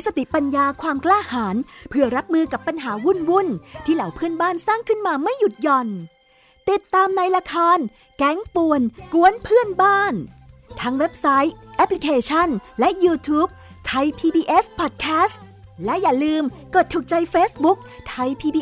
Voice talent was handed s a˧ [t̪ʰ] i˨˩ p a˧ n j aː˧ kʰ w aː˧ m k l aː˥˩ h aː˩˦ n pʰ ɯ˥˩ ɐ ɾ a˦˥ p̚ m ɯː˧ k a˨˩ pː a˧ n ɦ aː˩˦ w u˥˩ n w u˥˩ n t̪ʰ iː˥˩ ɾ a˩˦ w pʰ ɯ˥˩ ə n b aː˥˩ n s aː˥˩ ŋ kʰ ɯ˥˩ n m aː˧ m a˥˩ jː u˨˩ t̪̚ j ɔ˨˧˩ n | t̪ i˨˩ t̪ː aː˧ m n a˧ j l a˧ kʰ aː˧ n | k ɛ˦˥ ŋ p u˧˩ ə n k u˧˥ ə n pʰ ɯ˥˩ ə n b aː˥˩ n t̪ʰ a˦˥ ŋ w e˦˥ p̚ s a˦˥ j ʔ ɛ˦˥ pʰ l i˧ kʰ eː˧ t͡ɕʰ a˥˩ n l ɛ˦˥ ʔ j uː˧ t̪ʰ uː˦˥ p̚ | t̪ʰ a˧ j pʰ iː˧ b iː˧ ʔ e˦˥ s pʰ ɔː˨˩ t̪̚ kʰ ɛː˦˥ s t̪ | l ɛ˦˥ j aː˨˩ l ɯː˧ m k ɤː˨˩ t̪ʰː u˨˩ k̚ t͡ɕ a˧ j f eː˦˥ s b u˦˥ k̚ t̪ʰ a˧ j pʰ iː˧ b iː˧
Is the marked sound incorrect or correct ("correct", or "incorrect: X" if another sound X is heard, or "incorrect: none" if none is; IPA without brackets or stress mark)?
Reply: incorrect: t̪